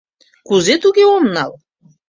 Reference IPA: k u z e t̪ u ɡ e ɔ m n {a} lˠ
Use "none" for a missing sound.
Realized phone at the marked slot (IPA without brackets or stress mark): a